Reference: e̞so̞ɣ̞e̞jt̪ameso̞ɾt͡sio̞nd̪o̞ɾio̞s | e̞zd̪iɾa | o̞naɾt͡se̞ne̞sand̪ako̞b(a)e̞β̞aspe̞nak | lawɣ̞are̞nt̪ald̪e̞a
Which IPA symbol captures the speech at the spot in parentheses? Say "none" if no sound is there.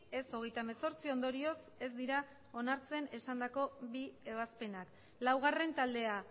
i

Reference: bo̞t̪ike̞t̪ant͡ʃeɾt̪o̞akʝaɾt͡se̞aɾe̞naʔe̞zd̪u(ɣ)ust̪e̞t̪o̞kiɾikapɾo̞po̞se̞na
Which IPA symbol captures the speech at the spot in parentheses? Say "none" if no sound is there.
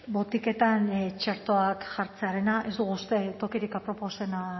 ɣ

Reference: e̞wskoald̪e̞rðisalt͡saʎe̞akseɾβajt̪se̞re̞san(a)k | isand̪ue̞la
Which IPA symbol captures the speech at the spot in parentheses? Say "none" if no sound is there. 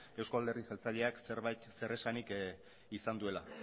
i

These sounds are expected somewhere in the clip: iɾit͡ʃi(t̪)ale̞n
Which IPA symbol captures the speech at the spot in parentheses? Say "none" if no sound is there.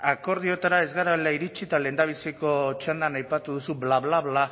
t̪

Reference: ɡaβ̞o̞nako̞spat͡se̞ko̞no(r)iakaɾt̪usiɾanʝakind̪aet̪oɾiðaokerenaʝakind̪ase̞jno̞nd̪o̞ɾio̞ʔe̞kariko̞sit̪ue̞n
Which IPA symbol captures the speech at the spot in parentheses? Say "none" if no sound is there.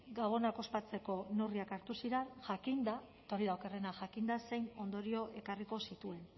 r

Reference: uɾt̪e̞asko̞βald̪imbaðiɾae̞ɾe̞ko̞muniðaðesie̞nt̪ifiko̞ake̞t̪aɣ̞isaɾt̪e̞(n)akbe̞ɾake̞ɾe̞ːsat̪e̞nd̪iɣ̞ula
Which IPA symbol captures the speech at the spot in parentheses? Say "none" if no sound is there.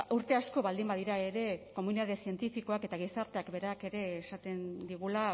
none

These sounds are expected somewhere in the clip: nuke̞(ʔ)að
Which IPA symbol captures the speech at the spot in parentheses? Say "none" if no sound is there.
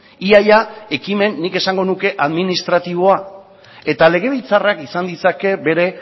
ʔ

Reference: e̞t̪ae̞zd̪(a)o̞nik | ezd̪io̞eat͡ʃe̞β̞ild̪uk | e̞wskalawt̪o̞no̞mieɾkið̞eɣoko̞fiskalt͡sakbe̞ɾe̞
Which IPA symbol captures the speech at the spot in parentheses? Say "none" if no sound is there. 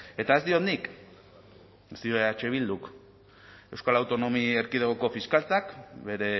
i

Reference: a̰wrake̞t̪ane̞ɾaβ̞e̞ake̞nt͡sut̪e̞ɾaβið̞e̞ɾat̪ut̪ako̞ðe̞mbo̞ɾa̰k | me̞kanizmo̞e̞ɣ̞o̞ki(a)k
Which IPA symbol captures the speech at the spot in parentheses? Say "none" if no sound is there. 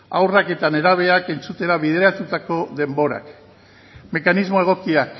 a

